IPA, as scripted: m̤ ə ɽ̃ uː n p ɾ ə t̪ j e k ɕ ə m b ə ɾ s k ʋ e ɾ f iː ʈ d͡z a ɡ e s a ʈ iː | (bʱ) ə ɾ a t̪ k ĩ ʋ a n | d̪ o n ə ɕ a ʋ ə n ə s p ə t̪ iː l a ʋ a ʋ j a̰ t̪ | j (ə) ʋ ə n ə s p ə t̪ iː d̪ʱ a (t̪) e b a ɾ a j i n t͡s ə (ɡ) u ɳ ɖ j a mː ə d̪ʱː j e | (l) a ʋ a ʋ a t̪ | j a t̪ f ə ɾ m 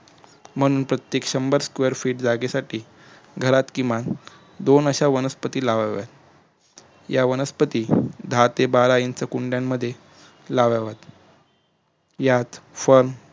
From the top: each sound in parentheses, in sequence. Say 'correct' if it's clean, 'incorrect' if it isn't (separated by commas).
incorrect, incorrect, correct, incorrect, correct